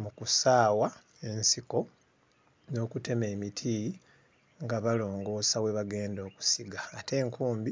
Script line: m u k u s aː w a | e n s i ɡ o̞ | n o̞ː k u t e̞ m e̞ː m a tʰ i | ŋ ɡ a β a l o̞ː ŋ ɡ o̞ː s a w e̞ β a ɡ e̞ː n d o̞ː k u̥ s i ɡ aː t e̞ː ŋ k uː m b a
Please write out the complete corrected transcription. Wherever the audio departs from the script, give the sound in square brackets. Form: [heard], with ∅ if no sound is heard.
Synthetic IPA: m u k u s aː w a | e n s i [k] o̞ | n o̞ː k u t e̞ m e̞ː m [i] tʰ i | ŋ ɡ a β a l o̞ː ŋ ɡ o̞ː s a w e̞ β a ɡ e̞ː n d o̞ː k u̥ s i ɡ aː t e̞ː ŋ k uː m b [i]